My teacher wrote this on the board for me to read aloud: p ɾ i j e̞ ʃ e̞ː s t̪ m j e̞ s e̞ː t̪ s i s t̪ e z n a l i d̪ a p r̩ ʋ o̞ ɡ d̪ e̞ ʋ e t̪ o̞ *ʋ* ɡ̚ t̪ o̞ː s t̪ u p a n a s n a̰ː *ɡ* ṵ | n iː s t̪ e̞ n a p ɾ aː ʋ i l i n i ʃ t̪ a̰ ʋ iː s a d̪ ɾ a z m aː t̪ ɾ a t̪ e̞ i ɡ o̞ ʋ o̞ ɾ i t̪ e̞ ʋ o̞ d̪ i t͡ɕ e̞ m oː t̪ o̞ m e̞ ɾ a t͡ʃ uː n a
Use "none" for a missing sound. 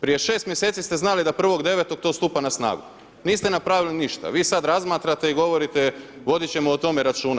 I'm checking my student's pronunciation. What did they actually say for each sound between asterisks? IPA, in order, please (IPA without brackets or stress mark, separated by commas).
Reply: none, ɡ